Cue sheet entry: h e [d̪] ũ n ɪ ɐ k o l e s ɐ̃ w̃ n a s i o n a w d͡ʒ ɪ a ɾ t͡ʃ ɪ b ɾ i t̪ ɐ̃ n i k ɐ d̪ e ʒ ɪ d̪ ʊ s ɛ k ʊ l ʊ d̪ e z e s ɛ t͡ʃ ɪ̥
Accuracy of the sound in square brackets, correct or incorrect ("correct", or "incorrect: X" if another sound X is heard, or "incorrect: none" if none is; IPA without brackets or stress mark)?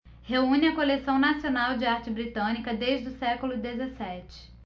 incorrect: none